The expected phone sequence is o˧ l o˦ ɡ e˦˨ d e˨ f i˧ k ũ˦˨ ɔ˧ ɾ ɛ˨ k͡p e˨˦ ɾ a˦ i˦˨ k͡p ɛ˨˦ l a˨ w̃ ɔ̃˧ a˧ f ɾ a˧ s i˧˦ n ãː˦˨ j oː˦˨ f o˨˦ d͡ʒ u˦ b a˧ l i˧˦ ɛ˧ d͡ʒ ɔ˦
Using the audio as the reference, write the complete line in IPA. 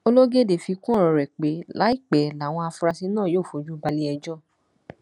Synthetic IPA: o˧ l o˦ ɡ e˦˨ d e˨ f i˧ k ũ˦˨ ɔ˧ ɾ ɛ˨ k͡p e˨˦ l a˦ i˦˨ k͡p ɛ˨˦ l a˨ w̃ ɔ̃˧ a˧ f ɾ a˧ s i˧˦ n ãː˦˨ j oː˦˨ f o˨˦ d͡ʒ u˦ b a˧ l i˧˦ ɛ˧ d͡ʒ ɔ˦